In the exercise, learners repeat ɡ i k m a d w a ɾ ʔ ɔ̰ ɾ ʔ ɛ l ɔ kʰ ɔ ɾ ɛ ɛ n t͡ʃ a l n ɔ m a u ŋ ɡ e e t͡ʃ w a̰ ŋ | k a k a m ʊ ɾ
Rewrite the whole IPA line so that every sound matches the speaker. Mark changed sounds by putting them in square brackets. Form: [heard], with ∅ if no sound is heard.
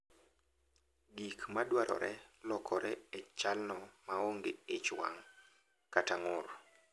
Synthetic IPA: ɡ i k m a d w a ɾ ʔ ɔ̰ ɾ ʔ ɛ l ɔ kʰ ɔ ɾ ɛ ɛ [∅] t͡ʃ a l n ɔ m a [o] ŋ ɡ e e t͡ʃ w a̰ ŋ | k a [t] a [ŋ] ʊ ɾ